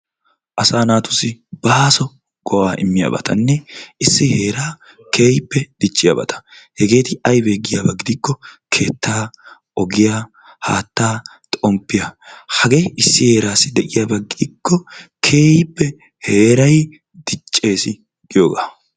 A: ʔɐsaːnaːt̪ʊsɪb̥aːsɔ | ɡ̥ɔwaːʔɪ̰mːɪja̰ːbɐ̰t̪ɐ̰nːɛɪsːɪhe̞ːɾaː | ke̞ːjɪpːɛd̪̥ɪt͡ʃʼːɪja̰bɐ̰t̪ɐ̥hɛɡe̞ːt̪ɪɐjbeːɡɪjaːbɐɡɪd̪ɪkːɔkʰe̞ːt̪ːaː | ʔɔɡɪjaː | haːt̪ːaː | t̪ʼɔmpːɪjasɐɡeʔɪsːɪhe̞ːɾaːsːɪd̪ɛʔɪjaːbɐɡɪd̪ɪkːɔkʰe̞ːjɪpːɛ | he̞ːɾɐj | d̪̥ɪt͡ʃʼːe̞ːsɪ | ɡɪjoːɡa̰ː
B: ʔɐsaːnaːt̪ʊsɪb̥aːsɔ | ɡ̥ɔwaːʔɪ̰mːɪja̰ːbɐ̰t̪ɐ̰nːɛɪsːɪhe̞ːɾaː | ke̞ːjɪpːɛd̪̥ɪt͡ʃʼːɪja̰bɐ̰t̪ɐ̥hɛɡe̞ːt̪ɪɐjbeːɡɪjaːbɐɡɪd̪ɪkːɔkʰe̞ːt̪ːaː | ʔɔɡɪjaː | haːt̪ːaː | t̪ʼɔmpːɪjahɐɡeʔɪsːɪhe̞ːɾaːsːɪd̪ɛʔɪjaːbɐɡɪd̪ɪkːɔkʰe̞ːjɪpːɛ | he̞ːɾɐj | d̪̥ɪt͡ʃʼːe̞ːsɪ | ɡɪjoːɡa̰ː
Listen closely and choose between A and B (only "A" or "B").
B